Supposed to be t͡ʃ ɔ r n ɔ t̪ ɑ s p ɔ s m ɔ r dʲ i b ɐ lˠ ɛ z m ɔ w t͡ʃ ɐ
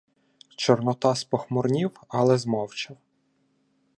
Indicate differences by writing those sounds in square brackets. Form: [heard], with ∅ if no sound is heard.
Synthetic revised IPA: t͡ʃ ɔ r n ɔ t̪ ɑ s p ɔ [x] m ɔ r [nʲ] i [w] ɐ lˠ ɛ z m ɔ w t͡ʃ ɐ